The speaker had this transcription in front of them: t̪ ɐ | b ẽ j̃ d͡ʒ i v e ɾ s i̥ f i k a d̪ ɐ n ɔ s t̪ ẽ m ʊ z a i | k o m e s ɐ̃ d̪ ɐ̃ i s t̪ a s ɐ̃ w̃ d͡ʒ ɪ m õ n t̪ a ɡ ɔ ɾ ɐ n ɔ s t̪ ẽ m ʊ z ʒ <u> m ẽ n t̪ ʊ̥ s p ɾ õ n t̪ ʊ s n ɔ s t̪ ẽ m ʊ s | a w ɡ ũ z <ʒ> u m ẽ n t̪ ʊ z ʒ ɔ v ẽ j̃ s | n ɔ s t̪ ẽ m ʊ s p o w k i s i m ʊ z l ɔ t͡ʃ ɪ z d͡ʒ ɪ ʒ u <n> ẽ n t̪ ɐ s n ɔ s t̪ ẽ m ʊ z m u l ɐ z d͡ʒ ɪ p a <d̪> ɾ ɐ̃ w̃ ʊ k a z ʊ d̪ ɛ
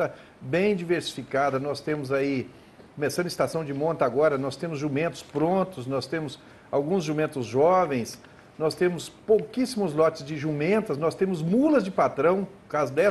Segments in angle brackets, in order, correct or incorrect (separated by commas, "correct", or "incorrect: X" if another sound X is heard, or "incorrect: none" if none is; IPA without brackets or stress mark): correct, correct, incorrect: m, incorrect: t̪